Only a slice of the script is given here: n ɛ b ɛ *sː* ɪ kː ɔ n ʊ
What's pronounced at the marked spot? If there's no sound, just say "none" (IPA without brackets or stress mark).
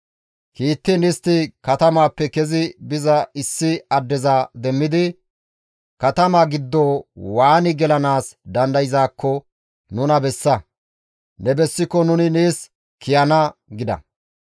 sː